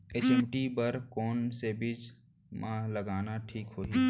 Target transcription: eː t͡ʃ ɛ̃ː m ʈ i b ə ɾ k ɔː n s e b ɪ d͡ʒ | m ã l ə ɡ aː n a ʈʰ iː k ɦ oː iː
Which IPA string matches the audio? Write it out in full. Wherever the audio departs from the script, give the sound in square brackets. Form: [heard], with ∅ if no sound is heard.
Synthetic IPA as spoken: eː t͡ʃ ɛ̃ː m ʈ i b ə ɾ k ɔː n s e b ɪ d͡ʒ | m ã l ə ɡ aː n a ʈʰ iː k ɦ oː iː